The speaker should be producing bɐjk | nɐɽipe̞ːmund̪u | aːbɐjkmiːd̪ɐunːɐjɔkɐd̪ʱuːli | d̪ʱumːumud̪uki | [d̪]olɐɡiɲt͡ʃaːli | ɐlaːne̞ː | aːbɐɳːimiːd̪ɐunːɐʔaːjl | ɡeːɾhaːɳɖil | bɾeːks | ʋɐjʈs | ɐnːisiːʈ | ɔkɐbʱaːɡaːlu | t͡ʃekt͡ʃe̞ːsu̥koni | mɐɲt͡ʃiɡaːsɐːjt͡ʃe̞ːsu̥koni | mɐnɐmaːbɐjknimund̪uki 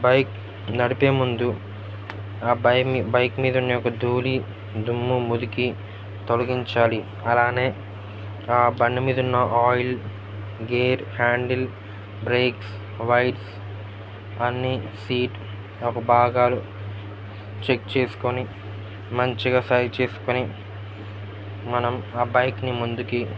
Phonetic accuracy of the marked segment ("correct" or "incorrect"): incorrect